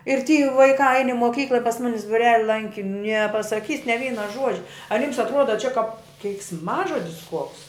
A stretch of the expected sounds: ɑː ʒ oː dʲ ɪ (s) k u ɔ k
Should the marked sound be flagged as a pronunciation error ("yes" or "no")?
no